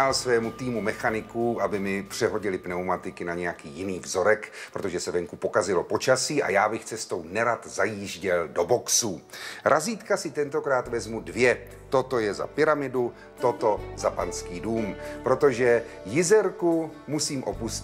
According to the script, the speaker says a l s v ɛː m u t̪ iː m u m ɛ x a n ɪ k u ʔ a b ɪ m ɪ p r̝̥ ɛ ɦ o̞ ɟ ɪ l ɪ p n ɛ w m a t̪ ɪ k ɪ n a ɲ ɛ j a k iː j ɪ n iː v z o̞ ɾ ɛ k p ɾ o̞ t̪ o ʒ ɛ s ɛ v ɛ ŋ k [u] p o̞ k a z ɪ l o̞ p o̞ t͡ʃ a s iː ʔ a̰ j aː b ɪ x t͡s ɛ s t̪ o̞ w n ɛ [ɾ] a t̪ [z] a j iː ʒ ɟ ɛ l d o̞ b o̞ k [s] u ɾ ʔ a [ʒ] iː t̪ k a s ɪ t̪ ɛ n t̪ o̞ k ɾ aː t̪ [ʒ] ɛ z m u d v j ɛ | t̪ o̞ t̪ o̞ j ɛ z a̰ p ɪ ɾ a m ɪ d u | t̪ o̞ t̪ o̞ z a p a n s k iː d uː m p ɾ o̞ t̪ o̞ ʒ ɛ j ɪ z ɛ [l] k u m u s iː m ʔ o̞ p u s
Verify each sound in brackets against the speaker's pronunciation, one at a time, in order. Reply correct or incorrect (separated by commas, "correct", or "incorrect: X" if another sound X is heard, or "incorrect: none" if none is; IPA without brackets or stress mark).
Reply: correct, correct, correct, correct, incorrect: z, incorrect: v, incorrect: ɾ